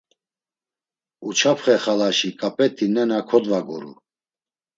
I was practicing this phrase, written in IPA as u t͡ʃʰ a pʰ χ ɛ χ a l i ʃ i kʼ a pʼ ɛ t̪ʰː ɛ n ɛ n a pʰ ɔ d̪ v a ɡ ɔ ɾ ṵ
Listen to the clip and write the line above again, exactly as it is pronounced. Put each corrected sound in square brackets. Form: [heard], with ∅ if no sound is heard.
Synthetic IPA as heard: u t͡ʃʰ a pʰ χ ɛ χ a l [a] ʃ i kʼ a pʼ ɛ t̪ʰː [i] n ɛ n a [kʰ] ɔ d̪ v a ɡ ɔ ɾ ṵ

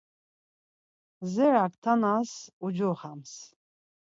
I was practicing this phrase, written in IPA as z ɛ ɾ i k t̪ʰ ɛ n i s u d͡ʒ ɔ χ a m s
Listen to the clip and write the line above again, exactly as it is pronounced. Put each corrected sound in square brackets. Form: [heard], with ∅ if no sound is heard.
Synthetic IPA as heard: z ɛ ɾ [a] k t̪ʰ [a] n [a] s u d͡ʒ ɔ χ a m s

